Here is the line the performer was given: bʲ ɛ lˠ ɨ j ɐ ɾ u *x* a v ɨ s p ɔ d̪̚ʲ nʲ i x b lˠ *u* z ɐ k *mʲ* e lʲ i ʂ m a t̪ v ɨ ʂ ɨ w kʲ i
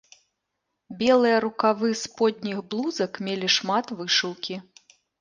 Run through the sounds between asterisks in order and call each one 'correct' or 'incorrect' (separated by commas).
incorrect, correct, correct